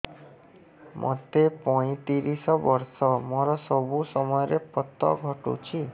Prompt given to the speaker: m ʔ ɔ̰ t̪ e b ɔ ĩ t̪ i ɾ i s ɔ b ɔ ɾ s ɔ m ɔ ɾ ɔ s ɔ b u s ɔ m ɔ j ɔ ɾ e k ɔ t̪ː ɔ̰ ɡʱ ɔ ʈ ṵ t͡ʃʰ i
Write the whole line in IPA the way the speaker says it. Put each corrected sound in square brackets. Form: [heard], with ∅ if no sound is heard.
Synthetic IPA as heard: m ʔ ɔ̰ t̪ e [p] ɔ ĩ t̪ i ɾ i s ɔ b ɔ ɾ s ɔ m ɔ ɾ ɔ s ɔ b u s ɔ m ɔ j ɔ ɾ e [p] ɔ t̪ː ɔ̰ ɡʱ ɔ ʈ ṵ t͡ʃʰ i

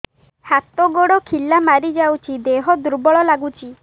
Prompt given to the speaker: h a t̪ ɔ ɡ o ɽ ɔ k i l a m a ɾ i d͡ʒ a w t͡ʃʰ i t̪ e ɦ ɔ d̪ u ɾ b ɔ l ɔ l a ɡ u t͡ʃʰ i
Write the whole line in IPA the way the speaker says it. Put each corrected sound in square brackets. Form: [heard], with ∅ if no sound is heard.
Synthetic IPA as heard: h a t̪ ɔ ɡ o ɽ ɔ [kʰ] i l a m a ɾ i d͡ʒ a w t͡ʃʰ i [d̪] e ɦ ɔ d̪ u ɾ b ɔ [ɭ] ɔ l a ɡ u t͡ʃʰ i

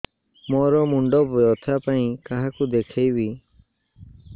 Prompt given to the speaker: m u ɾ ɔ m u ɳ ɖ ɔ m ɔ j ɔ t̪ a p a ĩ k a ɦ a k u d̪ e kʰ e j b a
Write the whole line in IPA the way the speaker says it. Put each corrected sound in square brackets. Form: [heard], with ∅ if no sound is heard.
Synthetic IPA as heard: m [ɔ] ɾ ɔ m u ɳ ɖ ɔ [b] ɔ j ɔ [t̪ʰ] a p a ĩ k a ɦ a k u d̪ e kʰ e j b [i]

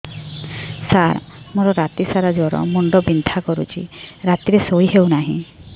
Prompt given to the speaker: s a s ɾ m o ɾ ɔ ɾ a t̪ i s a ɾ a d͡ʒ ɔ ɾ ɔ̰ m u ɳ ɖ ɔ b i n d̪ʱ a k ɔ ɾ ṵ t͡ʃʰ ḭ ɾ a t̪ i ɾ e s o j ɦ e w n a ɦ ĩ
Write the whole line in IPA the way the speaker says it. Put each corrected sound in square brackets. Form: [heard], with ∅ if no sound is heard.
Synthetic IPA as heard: s a [∅] ɾ m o ɾ ɔ ɾ a t̪ i s a ɾ a d͡ʒ ɔ ɾ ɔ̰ m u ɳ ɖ ɔ b i n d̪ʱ a k ɔ ɾ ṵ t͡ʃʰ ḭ ɾ a t̪ i ɾ e s o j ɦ e w n a ɦ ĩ

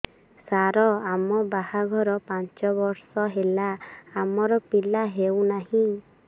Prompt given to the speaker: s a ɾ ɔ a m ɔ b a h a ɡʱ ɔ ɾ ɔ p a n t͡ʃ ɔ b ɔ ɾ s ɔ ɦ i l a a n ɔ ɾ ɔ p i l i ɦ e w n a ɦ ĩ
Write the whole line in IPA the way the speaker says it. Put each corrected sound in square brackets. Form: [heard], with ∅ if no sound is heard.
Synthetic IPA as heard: s a ɾ ɔ a m ɔ b a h a ɡʱ ɔ ɾ ɔ p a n t͡ʃ ɔ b ɔ ɾ s ɔ ɦ [e] l a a [m] ɔ ɾ ɔ p i l [a] ɦ e w n a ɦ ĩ

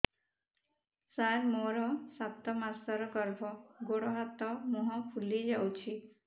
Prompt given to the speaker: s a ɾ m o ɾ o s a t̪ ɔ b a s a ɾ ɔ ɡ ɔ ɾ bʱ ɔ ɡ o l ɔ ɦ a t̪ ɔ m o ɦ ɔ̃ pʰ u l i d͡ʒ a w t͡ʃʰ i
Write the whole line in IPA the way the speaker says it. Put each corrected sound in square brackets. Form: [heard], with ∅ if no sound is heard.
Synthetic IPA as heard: s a ɾ m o ɾ [ɔ] s a t̪ ɔ [m] a s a ɾ ɔ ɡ ɔ ɾ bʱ ɔ ɡ o [ɽ] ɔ ɦ a t̪ ɔ m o ɦ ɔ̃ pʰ u l i d͡ʒ a w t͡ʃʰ i

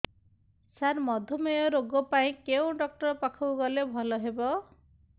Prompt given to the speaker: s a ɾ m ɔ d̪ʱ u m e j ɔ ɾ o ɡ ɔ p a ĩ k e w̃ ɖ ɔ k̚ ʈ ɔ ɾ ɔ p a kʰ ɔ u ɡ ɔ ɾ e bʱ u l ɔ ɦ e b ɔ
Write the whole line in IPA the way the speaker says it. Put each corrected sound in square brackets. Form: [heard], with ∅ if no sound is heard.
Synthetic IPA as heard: s a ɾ m ɔ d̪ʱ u m e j ɔ ɾ o ɡ ɔ p a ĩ k e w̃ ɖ ɔ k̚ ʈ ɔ ɾ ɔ p a kʰ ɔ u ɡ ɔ [l] e bʱ [ɔ] l ɔ ɦ e b ɔ

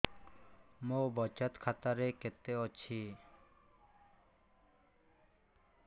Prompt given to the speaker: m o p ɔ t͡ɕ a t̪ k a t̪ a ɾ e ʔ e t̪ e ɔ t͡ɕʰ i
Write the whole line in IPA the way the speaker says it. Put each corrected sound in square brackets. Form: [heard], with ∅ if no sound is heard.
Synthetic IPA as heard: m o [b] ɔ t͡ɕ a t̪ [kʰ] a t̪ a ɾ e [k] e t̪ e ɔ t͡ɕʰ i

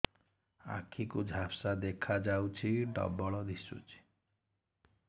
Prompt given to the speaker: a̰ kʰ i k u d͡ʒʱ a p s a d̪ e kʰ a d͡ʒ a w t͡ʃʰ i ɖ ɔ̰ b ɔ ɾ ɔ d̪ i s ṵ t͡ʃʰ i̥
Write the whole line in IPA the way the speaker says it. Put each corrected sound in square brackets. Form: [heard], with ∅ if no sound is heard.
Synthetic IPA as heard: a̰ kʰ i k u d͡ʒʱ a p s a d̪ e kʰ a d͡ʒ a w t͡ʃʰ i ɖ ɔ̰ b ɔ [ɭ] ɔ d̪ i s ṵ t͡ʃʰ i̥

